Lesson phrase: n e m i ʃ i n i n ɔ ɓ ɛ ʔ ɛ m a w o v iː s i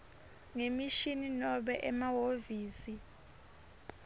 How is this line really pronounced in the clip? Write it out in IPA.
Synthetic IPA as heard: ŋ e m i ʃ i n i n ɔ ɓ ɛ ʔ ɛ m a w o v iː s i